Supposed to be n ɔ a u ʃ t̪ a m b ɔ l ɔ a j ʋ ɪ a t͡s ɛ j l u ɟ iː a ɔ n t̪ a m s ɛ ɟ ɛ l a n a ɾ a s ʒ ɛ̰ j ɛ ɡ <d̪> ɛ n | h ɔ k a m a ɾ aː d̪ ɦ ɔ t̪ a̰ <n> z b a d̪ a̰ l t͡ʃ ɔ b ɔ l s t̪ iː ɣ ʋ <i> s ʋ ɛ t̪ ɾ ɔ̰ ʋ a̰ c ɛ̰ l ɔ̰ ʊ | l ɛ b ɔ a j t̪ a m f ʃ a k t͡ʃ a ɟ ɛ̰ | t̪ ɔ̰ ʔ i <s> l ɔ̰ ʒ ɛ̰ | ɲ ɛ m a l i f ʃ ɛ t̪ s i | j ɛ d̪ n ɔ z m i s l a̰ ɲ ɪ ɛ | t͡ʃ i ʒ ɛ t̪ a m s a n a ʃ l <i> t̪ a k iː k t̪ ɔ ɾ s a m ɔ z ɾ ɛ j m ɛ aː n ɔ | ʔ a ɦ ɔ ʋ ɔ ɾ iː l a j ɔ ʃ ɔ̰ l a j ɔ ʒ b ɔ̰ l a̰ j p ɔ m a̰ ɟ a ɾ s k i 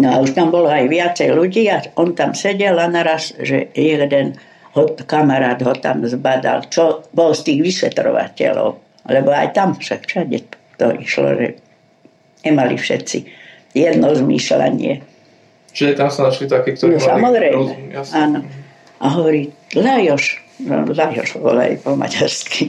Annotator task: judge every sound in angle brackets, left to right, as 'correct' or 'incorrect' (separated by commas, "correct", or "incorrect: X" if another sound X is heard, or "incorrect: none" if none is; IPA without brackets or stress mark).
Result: correct, incorrect: m, correct, incorrect: ʃ, correct